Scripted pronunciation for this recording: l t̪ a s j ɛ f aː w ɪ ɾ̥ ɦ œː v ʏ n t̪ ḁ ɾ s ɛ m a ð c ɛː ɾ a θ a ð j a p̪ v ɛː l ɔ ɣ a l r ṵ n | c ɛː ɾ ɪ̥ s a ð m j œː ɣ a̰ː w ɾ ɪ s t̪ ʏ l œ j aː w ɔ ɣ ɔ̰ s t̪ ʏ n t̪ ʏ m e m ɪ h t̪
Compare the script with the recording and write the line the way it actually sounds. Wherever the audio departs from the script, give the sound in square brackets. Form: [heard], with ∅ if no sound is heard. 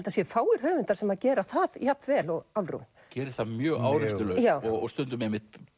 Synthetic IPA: l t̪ a s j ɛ f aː w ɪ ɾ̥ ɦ œː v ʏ n t̪ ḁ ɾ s ɛ m a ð c ɛː ɾ a θ a ð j a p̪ v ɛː l ɔ ɣ a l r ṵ n | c ɛː ɾ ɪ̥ [θ] a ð m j œː ɣ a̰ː w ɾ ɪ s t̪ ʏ l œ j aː w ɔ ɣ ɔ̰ s t̪ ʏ n t̪ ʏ m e m ɪ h t̪

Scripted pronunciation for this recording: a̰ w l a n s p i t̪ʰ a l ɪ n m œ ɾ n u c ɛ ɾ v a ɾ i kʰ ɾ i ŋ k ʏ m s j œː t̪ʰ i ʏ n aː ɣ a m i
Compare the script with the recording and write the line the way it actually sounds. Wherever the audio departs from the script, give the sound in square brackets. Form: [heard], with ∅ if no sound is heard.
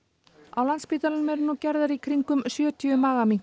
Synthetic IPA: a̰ w l a n s p i [t̪] a l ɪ n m [ɛ] ɾ n u c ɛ ɾ [ð] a ɾ i kʰ ɾ i ŋ k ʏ m s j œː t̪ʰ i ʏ [m] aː ɣ a m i

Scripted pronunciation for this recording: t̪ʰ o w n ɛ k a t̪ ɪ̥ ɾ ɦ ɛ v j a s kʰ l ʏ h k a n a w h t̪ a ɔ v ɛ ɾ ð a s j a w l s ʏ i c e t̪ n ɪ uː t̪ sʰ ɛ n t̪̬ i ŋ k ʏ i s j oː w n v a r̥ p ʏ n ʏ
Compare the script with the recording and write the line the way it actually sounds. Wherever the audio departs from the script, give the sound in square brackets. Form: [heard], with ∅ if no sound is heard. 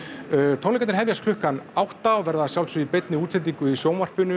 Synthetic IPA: t̪ʰ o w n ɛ k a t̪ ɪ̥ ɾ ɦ ɛ v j a s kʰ l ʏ h k a n a w h t̪ a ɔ v ɛ ɾ ð a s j a w l s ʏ i [p] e t̪ n ɪ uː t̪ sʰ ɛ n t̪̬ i ŋ k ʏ i s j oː w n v a r̥ p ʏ n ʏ

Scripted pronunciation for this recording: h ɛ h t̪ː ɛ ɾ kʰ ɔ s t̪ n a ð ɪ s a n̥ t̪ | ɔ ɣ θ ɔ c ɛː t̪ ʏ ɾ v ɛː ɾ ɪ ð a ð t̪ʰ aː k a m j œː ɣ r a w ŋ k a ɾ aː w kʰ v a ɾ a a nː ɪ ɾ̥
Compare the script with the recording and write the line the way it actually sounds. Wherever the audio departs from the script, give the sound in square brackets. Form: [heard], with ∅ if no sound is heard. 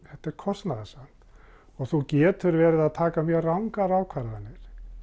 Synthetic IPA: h ɛ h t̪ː ɛ ɾ kʰ ɔ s t̪ n a ð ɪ s a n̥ t̪ | ɔ ɣ θ [u] c ɛː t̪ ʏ ɾ v ɛː ɾ ɪ ð a ð t̪ʰ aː k a m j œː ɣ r a w ŋ k a ɾ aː w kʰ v a ɾ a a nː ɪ ɾ̥

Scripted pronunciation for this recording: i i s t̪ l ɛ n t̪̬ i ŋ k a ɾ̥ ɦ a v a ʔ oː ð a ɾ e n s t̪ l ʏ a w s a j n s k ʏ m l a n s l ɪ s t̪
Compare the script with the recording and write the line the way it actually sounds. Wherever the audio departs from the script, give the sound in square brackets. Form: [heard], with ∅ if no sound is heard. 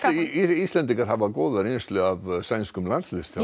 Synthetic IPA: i i s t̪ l ɛ n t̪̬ i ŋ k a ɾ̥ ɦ a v a [k] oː ð a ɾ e n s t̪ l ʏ a [v] s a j n s k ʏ m l a n s l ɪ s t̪

